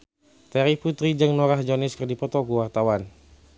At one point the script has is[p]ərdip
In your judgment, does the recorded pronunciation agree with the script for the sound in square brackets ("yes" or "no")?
no